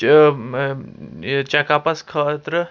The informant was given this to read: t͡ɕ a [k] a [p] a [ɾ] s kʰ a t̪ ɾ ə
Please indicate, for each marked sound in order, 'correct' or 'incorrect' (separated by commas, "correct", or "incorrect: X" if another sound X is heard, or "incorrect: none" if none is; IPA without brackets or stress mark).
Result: correct, correct, incorrect: none